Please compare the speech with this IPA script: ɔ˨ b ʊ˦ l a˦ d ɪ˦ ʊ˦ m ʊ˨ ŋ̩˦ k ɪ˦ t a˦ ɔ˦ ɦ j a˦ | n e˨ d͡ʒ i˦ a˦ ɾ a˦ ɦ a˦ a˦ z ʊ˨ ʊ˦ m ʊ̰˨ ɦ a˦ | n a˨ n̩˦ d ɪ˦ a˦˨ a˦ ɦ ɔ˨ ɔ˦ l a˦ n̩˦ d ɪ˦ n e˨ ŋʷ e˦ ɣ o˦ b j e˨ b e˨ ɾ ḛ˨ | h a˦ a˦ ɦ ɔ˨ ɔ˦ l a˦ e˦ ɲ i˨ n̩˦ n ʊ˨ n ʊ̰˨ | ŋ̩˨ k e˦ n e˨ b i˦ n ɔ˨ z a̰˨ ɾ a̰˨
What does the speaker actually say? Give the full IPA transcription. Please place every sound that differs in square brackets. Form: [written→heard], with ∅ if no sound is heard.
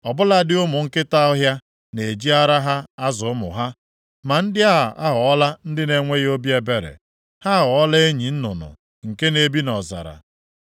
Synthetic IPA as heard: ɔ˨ b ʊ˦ l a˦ d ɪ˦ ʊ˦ m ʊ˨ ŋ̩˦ k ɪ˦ t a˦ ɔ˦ ɦ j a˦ | n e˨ d͡ʒ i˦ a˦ ɾ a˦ ɦ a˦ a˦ z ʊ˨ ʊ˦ m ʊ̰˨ ɦ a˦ | [n→m] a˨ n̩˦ d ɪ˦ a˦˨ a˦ ɦ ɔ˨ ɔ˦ l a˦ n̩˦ d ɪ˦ n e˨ ŋʷ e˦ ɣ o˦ b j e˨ b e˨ ɾ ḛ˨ | h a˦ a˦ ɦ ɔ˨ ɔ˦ l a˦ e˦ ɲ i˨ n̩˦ n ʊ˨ n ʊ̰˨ | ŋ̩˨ k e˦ n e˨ b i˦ n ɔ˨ z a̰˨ ɾ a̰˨